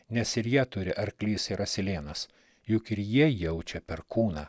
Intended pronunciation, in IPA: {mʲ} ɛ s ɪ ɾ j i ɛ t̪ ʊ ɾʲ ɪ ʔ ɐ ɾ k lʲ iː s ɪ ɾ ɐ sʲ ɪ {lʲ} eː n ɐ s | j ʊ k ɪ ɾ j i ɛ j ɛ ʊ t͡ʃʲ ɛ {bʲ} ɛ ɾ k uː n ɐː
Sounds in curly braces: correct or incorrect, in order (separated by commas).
incorrect, correct, incorrect